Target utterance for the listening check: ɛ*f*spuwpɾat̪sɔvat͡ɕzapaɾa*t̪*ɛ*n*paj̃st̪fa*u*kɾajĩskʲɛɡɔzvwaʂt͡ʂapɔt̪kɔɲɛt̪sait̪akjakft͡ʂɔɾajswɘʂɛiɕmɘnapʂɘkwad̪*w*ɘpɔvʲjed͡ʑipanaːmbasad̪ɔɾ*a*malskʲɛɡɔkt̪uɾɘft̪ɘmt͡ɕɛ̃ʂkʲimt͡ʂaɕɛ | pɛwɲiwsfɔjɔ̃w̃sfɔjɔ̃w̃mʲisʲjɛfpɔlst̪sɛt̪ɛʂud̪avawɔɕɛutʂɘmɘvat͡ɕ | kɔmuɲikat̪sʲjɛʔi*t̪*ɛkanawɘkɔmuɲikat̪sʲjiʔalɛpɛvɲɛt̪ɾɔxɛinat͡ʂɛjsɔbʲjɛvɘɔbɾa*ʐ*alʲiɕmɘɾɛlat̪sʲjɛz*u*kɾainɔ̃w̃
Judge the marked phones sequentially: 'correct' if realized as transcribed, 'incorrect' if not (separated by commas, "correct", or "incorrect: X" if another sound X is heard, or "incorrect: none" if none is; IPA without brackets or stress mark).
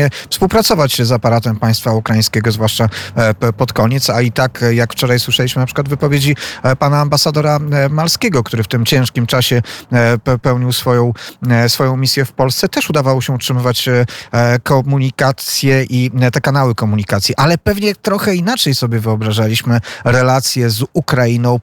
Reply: correct, correct, incorrect: m, correct, incorrect: v, correct, correct, correct, correct